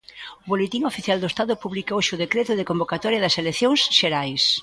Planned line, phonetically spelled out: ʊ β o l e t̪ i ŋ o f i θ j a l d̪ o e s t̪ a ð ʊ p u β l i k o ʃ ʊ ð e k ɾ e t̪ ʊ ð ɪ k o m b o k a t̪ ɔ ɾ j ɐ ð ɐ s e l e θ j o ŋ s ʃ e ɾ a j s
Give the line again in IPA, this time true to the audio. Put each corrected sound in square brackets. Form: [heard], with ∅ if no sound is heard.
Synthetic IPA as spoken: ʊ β o l e t̪ i ŋ o f i θ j a l d̪ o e s t̪ a ð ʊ p u β l i k o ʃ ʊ ð e k ɾ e t̪ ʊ ð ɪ k o m b o k a t̪ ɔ ɾ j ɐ ð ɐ s e l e θ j o ŋ s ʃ e ɾ a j s